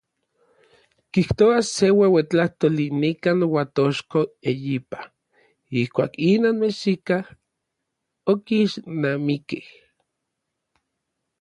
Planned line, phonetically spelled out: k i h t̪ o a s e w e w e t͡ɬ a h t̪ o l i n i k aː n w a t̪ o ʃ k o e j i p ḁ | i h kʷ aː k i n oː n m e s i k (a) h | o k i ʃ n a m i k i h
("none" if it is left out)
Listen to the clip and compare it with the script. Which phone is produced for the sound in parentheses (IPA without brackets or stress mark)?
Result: a